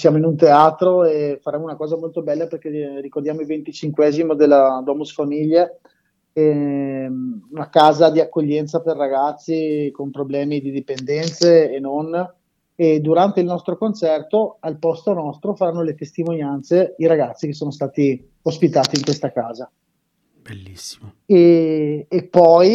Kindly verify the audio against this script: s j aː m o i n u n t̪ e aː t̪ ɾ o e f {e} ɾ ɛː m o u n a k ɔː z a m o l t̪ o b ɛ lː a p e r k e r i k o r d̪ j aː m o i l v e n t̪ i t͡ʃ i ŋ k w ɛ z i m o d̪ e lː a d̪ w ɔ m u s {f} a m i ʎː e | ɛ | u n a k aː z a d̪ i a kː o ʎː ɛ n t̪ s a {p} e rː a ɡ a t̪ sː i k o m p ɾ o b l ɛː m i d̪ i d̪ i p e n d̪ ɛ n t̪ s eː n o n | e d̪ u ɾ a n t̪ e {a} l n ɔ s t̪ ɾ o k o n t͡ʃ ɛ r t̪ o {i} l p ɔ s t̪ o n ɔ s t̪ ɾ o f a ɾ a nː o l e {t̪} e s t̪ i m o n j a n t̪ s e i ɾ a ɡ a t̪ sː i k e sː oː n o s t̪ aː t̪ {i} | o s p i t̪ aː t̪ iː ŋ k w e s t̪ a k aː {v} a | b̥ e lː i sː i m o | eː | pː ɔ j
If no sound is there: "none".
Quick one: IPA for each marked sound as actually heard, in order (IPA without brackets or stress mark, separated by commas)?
a, f, p, i, a, t̪, i, z